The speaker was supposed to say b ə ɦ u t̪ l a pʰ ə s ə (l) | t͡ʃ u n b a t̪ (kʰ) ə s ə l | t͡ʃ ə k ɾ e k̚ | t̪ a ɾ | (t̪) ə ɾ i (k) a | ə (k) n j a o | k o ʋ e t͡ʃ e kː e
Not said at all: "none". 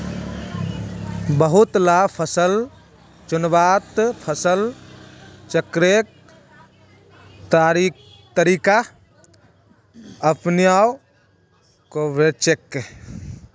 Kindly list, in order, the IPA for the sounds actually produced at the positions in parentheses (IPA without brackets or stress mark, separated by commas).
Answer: l, pʰ, t̪, k, p